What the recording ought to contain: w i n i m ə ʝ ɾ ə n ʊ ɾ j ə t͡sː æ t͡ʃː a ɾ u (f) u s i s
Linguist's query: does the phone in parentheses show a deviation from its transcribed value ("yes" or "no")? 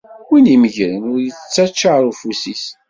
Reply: no